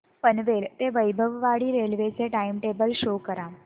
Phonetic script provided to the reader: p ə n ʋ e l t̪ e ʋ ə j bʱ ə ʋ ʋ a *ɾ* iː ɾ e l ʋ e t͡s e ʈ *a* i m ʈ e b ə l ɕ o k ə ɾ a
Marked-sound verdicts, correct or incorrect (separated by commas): incorrect, correct